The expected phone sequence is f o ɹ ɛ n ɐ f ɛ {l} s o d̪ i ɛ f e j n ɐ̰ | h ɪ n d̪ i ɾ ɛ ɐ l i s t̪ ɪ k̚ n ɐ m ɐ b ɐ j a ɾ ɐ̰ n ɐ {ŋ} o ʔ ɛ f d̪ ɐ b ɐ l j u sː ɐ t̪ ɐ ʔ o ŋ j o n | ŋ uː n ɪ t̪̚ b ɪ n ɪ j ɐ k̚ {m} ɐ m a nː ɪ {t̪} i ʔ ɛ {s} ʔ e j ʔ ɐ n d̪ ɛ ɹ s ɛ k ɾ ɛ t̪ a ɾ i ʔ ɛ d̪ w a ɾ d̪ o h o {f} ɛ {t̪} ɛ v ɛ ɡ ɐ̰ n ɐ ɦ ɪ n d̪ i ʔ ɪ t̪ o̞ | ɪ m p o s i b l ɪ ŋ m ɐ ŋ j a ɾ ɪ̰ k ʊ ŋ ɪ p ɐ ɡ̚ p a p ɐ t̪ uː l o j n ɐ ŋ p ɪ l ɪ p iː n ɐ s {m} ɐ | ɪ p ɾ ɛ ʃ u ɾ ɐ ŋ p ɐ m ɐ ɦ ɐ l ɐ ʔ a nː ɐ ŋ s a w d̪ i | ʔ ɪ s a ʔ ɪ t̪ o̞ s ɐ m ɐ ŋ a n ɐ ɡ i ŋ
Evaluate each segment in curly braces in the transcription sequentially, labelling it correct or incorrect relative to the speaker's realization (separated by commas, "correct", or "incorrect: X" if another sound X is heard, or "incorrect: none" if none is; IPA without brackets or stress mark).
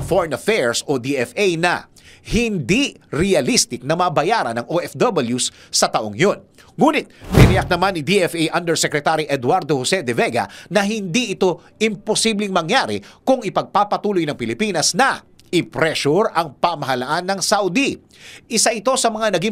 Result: incorrect: ɹ, correct, incorrect: n, incorrect: d̪, incorrect: f, incorrect: s, incorrect: d̪, incorrect: n